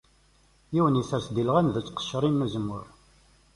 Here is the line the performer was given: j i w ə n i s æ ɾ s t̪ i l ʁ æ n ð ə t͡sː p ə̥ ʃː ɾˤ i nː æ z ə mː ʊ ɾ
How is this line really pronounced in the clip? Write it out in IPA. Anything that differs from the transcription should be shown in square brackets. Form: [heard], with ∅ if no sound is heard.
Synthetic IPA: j i w ə n i s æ ɾ s [d̪] i l ʁ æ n ð ə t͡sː [q] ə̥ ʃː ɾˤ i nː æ z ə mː ʊ ɾ